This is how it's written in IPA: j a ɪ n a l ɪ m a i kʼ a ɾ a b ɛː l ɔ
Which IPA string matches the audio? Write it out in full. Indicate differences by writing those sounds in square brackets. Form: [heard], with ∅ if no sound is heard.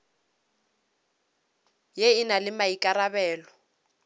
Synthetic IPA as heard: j [e] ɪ n a l ɪ m a i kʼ a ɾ a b ɛː l ɔ